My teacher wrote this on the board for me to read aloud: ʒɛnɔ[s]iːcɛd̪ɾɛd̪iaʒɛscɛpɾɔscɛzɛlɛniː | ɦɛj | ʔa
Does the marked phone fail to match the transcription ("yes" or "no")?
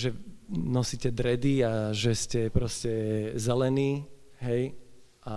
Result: no